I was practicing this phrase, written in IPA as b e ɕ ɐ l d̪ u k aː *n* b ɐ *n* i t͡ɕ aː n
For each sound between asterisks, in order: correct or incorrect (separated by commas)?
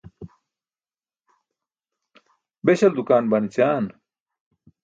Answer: correct, correct